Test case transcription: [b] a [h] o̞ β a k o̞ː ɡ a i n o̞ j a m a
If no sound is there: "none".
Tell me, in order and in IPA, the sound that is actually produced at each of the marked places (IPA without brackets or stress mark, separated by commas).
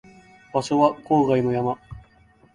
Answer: b, ɕ